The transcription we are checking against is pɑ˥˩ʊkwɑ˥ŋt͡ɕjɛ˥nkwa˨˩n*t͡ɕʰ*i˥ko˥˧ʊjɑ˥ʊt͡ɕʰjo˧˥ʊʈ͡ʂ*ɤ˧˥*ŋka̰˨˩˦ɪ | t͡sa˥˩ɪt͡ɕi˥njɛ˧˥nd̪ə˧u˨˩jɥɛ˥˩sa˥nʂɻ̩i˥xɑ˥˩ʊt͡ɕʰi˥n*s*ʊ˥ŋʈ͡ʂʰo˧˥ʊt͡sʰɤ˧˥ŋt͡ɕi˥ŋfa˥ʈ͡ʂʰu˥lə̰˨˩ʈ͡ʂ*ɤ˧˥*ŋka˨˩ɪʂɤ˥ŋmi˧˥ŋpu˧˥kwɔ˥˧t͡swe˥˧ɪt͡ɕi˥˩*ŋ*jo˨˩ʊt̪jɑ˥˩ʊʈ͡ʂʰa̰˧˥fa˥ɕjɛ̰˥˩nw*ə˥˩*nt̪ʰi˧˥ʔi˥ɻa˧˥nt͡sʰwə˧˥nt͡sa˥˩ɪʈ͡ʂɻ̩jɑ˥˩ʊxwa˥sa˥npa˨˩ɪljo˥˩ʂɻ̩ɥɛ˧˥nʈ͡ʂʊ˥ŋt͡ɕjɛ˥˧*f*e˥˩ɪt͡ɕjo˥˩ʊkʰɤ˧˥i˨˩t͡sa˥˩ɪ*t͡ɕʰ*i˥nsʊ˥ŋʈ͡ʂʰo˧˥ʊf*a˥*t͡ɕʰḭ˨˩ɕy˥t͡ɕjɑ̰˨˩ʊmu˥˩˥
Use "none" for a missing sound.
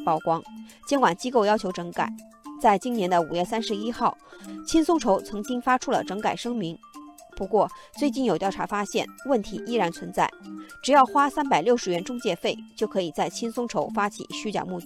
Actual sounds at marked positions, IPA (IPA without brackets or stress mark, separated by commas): t͡ɕ, ɤ˧˥, s, ɤ˧˥, n, ə˥˩, f, t͡ɕʰ, a˥